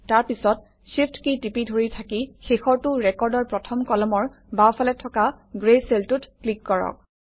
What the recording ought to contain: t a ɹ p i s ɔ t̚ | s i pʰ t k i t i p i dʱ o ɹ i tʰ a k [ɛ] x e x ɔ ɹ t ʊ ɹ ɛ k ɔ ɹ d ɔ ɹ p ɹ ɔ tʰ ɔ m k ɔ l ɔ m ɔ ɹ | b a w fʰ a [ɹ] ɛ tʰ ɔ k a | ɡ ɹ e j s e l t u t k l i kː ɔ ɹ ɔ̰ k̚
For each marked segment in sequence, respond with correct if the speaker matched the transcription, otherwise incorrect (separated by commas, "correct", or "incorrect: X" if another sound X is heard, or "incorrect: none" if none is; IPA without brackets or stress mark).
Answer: incorrect: i, incorrect: l